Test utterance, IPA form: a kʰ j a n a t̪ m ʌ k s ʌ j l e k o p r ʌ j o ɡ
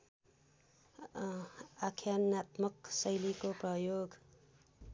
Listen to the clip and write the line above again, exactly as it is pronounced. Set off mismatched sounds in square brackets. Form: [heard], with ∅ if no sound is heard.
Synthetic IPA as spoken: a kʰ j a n a t̪ m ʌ k s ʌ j l [i] k o p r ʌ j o ɡ